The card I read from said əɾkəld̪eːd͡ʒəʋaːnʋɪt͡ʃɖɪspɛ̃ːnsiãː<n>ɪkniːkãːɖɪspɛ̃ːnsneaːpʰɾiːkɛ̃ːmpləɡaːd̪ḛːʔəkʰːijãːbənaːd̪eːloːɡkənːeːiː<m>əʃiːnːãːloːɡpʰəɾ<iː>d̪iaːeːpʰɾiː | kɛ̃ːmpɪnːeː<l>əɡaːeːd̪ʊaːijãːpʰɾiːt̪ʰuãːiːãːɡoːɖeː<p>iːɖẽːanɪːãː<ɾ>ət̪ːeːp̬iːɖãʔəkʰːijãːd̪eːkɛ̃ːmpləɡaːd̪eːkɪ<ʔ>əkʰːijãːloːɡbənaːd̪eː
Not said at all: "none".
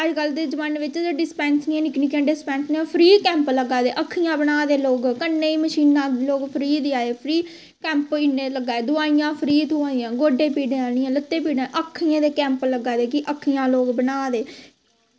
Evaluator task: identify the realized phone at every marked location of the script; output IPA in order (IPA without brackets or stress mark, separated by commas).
n, m, iː, l, p, l, ʔ